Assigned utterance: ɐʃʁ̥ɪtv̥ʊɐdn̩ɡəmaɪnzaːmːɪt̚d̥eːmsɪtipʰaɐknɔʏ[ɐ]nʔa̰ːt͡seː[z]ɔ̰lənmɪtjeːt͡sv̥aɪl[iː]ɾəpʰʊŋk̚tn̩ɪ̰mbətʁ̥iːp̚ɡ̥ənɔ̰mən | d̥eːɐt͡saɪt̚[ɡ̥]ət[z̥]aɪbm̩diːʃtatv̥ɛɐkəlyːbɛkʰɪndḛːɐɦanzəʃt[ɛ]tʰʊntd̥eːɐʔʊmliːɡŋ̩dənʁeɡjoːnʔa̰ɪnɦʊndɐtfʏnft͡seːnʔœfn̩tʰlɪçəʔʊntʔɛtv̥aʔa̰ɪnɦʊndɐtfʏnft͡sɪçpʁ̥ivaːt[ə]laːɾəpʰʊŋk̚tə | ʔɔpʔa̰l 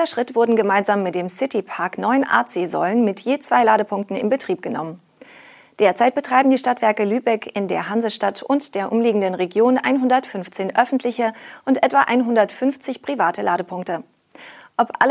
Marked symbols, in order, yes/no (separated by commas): no, yes, no, no, no, no, yes